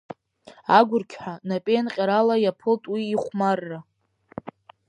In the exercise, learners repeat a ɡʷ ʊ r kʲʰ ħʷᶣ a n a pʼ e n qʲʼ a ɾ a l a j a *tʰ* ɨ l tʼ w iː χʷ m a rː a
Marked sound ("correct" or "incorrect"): incorrect